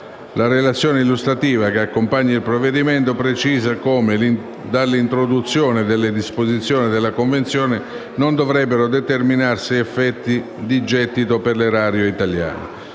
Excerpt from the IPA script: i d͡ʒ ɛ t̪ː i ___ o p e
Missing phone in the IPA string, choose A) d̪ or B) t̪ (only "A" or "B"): B